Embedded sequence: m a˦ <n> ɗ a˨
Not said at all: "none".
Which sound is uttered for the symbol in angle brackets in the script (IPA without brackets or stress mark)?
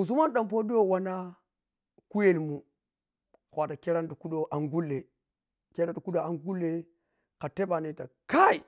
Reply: n